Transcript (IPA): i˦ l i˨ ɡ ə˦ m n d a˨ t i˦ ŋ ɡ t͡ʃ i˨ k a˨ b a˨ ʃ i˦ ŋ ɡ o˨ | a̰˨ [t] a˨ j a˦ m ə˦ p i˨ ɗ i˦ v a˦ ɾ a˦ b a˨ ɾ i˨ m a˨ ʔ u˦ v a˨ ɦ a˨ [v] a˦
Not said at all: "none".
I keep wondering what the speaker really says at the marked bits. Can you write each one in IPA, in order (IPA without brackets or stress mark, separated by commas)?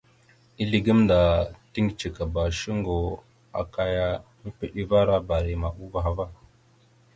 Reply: k, v